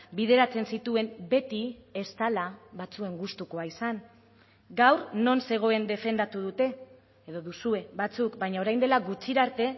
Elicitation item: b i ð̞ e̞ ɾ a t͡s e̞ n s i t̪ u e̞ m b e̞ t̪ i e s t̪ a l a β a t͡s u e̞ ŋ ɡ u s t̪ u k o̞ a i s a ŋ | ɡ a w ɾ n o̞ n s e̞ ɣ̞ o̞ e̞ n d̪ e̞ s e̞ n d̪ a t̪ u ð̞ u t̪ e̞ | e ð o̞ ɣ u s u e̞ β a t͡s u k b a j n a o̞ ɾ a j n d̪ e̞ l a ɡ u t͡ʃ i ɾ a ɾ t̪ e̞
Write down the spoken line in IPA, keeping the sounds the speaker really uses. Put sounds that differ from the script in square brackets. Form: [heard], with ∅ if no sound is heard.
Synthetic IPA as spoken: b i ð̞ e̞ ɾ a t͡s e̞ n s i t̪ u e̞ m b e̞ t̪ i e s t̪ a l a β a t͡s u e̞ ŋ ɡ u s t̪ u k o̞ a i s a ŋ | ɡ a w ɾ n o̞ n s e̞ ɣ̞ o̞ e̞ n d̪ e̞ [f] e̞ n d̪ a t̪ u ð̞ u t̪ e̞ | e ð o̞ [ð] u s u e̞ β a t͡s u k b a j [ɲ] a o̞ ɾ a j n d̪ e̞ l a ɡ u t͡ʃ i ɾ a ɾ t̪ e̞